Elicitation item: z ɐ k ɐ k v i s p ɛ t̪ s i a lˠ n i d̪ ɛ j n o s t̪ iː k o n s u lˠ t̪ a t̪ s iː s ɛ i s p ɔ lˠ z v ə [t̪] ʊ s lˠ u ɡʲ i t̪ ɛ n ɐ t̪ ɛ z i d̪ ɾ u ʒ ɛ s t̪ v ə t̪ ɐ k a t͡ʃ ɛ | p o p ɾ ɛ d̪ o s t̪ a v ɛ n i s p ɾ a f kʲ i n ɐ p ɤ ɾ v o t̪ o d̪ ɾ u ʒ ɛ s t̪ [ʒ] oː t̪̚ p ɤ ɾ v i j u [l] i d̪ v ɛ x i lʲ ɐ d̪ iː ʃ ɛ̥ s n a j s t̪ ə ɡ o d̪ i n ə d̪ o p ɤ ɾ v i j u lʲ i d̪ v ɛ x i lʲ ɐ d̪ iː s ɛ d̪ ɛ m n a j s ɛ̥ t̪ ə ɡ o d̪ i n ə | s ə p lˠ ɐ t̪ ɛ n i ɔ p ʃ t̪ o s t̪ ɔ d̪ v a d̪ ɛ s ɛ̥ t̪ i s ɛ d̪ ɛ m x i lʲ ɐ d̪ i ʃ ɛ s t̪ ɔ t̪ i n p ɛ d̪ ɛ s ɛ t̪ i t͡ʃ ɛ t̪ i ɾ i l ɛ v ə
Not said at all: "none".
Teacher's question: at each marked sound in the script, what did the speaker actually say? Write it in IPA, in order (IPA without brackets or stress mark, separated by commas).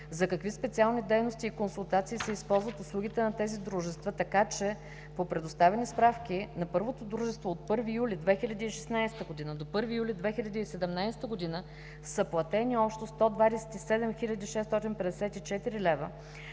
t̪, v, l